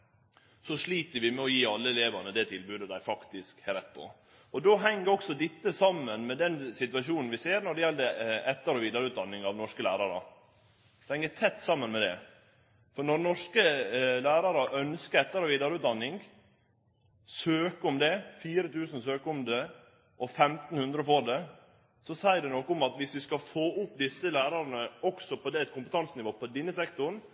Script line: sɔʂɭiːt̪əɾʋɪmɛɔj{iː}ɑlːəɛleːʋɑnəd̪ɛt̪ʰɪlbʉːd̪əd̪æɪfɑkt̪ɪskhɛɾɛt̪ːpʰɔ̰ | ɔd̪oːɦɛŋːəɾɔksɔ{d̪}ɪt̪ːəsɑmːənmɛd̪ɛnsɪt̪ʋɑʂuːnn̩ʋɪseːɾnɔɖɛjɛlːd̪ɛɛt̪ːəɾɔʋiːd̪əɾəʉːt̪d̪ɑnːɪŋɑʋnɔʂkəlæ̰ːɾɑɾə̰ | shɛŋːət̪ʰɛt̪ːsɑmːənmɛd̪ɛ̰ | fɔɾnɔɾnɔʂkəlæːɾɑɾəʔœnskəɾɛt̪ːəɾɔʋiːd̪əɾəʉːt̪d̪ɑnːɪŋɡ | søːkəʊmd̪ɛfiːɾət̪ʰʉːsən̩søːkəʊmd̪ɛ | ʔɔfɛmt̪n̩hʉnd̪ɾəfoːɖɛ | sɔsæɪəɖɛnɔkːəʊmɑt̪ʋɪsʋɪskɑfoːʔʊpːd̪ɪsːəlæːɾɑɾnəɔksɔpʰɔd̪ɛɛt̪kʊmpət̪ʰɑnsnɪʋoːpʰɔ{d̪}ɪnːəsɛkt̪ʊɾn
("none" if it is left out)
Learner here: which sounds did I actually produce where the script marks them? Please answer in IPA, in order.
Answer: iː, d̪, d̪

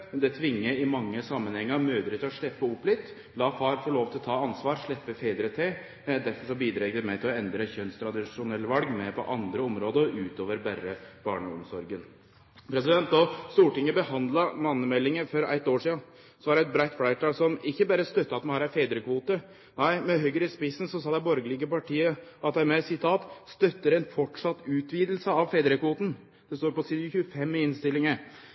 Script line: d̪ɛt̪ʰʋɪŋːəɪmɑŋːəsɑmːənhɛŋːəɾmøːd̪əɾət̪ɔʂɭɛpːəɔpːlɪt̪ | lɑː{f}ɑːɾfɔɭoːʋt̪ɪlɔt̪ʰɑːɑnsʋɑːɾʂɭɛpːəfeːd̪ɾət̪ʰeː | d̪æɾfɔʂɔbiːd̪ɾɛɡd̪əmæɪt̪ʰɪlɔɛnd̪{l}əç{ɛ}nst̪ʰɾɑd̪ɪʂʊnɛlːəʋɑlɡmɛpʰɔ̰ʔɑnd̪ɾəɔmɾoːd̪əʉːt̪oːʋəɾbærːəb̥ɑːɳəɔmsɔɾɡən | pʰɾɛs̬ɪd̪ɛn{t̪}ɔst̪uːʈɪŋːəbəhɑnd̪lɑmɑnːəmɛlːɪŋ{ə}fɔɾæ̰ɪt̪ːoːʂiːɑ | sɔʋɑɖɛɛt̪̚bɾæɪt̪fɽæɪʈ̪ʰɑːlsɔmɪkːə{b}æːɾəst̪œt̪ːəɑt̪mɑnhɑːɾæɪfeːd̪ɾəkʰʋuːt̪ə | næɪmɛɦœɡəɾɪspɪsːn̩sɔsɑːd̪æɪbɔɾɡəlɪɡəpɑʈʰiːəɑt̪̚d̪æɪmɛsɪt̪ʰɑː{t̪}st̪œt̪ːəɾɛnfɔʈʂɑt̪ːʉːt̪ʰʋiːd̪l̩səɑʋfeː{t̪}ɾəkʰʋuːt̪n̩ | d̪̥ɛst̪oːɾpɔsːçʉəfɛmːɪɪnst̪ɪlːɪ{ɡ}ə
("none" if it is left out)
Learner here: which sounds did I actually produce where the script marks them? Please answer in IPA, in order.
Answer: f, ɾ, œ, t̪, ə, b, t̪, d̪, ŋ

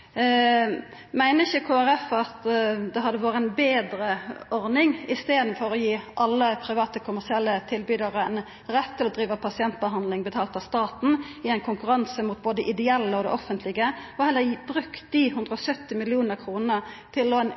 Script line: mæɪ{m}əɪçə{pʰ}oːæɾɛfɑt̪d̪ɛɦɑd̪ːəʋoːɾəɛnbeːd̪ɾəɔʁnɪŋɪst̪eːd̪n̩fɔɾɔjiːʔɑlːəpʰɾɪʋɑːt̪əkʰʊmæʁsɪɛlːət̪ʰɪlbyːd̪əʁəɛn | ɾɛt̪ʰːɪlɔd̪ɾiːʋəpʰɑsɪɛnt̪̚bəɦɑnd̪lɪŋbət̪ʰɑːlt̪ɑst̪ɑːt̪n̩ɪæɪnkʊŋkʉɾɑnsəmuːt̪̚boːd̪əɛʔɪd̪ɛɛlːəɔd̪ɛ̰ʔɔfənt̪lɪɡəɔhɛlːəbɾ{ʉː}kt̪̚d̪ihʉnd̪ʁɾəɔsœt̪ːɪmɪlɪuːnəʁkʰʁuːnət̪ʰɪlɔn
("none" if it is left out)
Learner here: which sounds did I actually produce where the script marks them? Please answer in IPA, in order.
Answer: n, kʰ, ʉ

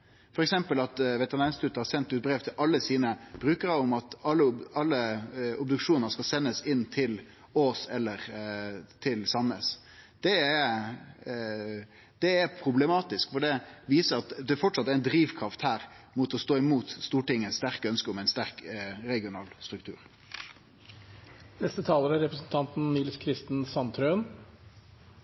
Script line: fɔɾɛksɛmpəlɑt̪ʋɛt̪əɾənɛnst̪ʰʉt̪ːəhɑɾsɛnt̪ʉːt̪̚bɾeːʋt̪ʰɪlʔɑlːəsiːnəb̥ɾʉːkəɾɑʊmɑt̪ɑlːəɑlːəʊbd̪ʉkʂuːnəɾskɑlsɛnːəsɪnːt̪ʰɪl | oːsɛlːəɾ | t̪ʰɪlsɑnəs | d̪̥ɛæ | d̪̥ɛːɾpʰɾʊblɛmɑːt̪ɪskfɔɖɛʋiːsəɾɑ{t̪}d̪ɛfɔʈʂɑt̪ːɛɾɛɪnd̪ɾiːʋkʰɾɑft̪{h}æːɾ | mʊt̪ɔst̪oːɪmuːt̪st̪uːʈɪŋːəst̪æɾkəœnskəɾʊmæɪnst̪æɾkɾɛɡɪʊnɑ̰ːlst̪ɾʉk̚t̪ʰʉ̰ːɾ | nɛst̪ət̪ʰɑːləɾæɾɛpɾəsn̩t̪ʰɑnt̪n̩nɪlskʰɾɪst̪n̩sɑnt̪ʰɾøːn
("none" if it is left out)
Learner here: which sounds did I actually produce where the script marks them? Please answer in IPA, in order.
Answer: t̪, h

